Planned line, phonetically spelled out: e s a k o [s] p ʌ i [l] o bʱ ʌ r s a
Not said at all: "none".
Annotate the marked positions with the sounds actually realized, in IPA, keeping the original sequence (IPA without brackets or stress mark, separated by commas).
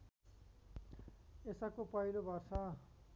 none, l